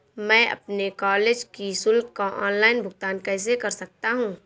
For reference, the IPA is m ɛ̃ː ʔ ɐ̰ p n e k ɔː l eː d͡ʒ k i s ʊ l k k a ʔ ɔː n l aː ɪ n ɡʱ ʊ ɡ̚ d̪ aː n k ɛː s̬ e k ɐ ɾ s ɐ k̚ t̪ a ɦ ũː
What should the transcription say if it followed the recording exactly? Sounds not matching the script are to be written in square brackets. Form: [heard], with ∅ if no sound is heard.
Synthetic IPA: m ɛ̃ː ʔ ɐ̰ p n e k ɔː l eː d͡ʒ k i s ʊ l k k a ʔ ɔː n l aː ɪ n [bʱ] ʊ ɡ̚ [t̪] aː n k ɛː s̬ e k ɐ ɾ s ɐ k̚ t̪ a ɦ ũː